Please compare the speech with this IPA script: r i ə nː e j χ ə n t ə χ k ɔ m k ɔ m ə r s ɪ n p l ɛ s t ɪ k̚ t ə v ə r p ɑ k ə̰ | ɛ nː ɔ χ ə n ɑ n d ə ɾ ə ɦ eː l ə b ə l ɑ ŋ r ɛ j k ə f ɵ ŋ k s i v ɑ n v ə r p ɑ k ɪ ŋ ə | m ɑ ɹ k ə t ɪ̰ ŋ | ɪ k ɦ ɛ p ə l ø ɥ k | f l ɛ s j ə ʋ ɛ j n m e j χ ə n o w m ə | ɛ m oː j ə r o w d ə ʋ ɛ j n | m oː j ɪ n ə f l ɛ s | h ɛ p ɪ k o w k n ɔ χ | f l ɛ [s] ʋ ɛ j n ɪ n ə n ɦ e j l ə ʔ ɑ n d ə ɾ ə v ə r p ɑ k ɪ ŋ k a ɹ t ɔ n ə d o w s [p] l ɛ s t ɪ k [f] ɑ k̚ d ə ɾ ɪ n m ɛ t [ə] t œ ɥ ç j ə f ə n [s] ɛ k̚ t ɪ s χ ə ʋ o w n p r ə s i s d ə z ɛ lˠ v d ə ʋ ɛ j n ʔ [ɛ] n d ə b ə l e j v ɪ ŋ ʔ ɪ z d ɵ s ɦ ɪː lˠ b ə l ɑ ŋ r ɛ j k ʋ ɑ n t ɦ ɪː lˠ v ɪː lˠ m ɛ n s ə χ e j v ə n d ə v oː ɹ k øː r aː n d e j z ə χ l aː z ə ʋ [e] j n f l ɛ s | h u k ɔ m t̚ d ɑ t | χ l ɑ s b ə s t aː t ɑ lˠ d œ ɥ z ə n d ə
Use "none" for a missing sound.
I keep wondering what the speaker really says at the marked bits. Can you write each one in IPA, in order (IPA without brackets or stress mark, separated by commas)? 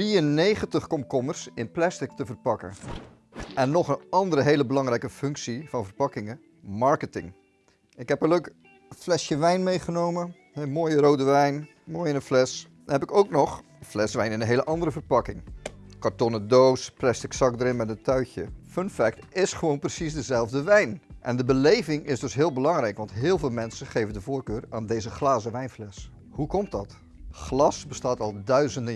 s, p, s, ə, f, ɛ, ɛ